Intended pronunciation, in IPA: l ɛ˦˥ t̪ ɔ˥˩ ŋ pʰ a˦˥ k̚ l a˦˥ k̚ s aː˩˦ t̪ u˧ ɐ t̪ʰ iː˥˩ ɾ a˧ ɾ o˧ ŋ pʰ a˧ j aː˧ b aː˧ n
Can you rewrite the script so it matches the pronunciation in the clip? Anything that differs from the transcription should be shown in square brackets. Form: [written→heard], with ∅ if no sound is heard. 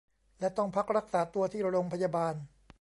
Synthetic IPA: l ɛ˦˥ t̪ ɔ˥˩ ŋ pʰ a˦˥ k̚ [l→ɾ] a˦˥ k̚ s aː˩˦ t̪ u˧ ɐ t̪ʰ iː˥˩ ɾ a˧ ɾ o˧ ŋ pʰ a˧ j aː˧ b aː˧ n